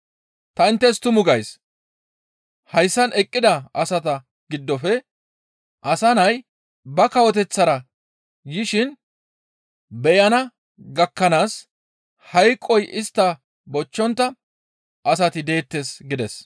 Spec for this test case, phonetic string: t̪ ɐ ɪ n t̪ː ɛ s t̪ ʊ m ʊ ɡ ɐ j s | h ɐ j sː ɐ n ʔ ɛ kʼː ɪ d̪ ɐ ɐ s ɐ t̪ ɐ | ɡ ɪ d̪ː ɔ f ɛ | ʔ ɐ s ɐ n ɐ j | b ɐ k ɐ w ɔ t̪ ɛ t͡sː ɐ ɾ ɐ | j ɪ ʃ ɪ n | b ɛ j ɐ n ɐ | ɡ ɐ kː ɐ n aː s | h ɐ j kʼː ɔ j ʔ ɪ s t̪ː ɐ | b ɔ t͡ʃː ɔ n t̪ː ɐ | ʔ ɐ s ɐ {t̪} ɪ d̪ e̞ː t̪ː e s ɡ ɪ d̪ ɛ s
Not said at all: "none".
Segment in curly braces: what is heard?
t̪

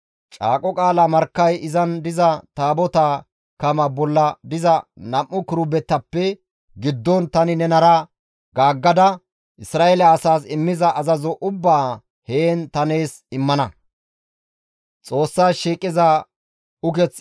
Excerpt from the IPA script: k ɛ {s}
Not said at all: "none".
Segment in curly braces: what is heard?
t͡s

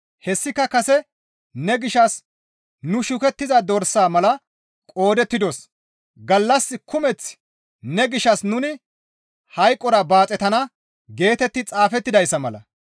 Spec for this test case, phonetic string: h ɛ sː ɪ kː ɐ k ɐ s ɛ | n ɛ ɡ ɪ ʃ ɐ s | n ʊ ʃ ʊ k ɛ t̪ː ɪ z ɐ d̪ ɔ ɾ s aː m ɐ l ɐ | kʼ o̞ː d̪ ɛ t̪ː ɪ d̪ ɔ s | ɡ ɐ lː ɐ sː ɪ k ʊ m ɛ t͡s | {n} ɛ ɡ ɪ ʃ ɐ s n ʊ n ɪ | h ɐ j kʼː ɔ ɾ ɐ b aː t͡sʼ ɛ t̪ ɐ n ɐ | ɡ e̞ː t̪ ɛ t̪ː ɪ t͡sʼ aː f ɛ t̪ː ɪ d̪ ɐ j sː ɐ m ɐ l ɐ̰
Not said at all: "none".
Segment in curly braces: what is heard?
n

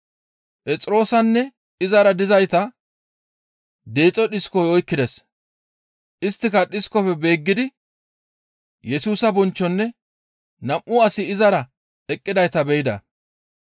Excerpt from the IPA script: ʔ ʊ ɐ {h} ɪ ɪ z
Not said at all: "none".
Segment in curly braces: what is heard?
s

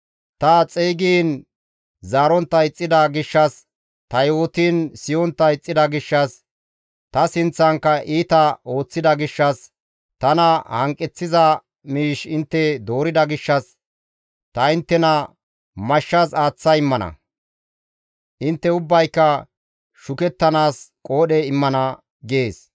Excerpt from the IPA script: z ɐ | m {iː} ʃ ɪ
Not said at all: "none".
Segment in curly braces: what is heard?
iː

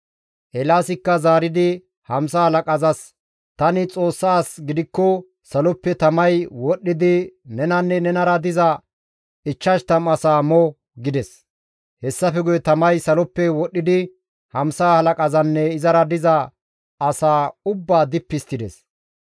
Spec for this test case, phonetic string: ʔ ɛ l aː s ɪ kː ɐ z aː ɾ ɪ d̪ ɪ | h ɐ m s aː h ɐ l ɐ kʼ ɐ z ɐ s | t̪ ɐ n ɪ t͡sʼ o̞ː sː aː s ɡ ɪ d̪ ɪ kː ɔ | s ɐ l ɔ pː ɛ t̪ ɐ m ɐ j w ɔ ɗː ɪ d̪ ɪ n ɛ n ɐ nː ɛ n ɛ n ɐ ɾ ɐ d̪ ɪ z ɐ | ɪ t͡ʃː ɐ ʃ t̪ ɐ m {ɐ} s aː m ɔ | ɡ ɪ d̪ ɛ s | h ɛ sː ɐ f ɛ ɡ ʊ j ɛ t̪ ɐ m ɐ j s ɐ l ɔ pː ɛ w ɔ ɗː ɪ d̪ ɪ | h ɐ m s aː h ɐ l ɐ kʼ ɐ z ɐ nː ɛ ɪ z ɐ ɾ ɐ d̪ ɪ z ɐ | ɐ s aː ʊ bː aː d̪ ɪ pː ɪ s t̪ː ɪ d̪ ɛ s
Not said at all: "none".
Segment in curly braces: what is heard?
ɐ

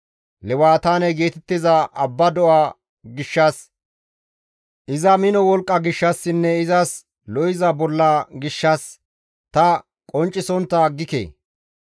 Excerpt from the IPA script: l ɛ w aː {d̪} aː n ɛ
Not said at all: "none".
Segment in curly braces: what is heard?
t̪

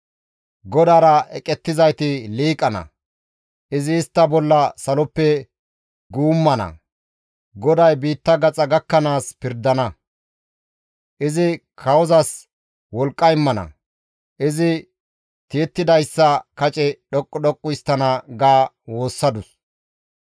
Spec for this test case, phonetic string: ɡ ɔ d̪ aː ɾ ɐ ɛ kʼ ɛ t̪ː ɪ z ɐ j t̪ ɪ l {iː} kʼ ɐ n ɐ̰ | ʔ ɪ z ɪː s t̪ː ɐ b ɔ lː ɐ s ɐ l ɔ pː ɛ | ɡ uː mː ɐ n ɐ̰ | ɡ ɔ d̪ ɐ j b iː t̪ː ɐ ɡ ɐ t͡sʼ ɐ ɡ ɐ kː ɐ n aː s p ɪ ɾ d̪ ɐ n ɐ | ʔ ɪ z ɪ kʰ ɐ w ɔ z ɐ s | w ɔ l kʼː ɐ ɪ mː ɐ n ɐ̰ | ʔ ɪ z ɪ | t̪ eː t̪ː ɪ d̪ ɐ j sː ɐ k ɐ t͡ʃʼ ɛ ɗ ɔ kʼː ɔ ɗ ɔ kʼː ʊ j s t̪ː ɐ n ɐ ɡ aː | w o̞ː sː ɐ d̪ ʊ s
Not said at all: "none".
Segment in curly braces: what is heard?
iː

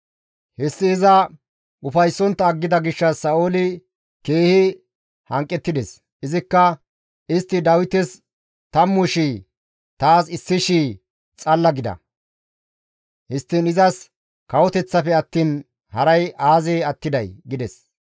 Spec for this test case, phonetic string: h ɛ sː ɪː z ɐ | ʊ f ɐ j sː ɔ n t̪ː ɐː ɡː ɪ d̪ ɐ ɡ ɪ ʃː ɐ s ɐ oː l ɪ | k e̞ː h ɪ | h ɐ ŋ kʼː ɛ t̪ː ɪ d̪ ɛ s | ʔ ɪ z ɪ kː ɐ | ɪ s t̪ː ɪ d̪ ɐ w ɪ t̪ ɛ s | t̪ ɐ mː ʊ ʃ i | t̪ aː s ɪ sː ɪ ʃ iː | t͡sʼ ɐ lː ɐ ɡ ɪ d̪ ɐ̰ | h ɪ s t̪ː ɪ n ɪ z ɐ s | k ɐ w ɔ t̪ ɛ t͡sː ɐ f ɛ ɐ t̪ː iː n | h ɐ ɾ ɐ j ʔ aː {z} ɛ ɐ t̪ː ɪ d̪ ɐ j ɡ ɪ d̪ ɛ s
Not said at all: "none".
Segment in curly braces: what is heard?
z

